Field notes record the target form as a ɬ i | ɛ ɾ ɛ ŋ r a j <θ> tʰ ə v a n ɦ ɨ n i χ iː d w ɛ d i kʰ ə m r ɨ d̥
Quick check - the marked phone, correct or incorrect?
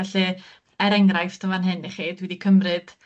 incorrect